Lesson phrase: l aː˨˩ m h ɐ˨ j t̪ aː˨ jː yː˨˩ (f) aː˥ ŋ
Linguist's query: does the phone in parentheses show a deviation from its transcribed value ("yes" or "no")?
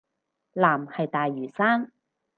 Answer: yes